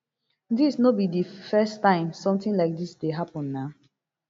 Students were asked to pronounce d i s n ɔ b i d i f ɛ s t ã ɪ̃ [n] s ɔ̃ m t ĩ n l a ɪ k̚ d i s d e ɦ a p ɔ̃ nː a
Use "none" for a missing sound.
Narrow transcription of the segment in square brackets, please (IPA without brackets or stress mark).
m